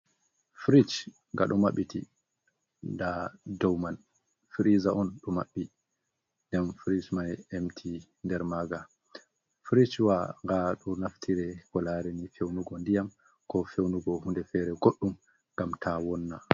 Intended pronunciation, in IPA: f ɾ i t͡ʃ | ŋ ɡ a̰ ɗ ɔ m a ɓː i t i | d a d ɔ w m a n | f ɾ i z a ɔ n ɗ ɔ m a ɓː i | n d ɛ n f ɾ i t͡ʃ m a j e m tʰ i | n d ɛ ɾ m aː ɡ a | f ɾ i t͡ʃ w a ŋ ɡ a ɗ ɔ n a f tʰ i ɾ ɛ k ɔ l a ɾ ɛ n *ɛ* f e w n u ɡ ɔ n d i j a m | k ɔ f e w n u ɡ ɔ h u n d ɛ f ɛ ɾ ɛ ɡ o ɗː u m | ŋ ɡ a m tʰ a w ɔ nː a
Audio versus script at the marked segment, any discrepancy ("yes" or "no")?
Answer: yes